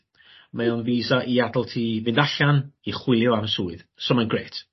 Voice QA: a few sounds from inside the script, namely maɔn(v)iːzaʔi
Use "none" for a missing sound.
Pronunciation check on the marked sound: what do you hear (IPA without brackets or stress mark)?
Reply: v